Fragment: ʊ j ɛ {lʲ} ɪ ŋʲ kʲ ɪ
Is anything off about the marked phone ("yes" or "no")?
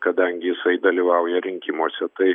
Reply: yes